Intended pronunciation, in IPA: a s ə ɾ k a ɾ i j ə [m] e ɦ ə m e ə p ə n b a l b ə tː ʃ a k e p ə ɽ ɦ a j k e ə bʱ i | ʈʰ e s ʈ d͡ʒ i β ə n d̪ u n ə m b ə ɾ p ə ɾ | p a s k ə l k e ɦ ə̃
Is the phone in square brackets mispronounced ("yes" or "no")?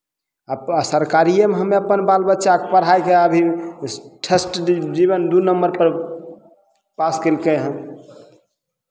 no